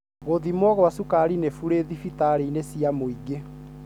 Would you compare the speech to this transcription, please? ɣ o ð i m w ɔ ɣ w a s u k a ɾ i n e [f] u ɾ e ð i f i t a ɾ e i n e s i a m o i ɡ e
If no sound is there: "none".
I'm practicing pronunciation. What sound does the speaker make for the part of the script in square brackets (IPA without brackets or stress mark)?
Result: f